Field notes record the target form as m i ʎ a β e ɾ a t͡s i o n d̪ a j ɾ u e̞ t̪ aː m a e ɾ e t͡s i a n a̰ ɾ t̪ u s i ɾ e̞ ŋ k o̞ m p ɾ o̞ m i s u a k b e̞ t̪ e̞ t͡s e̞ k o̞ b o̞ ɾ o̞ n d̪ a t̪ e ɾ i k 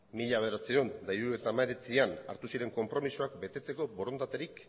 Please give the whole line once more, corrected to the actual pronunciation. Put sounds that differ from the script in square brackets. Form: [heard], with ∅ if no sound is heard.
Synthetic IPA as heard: m i ʎ a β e ɾ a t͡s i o n d̪ a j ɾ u e̞ t̪ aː m a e ɾ e t͡s i a n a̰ ɾ t̪ u s i ɾ e̞ ŋ k o̞ m p ɾ o̞ m i s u a k b e̞ t̪ e̞ t͡s e̞ k o̞ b o̞ ɾ o̞ n d̪ a t̪ e ɾ i k